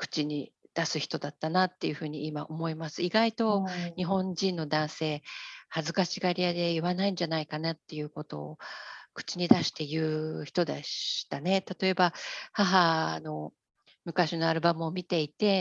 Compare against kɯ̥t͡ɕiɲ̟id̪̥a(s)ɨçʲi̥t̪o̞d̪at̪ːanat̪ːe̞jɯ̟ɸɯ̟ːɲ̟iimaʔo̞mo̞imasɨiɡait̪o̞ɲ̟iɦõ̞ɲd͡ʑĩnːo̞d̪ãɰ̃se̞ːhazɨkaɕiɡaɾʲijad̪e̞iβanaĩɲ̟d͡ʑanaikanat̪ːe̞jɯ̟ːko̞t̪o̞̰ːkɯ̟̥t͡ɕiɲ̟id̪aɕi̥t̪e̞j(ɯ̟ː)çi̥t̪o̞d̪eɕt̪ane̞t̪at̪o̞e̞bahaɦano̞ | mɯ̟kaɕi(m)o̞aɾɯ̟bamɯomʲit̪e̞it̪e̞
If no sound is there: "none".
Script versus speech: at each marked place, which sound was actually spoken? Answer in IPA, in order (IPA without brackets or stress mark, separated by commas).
s, ɯ̟ː, n